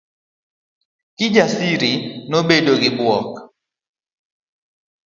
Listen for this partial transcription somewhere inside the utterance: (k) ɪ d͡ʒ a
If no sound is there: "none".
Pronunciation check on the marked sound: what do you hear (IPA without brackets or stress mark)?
k